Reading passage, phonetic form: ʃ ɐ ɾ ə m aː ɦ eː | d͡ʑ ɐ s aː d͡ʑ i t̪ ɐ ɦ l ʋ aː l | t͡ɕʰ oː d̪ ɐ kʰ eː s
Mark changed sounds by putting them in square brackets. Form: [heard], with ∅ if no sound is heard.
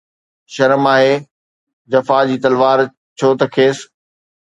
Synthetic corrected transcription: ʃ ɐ ɾ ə m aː ɦ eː | d͡ʑ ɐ [f] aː d͡ʑ [iː] t̪ ɐ [∅] l ʋ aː [ɾ] | t͡ɕʰ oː [t̪] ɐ kʰ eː s